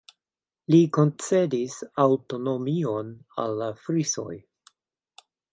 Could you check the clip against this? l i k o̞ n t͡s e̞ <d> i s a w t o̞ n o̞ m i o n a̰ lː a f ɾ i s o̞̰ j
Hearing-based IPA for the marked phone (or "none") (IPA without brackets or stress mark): d